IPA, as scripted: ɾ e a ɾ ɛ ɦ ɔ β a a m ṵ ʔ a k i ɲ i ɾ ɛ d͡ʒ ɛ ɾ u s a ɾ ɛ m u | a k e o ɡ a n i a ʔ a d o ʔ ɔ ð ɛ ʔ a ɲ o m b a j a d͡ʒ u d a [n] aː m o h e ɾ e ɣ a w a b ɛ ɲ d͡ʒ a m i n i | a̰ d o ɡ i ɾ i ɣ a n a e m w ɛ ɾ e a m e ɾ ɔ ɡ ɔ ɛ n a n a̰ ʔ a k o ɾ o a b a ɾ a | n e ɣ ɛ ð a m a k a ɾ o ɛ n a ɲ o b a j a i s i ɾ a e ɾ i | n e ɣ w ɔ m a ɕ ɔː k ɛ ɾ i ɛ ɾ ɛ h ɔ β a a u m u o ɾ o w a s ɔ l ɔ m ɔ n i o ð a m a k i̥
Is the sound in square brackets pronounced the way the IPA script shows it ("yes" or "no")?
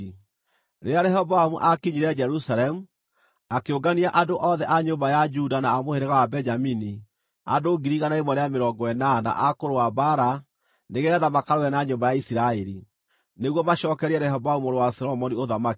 yes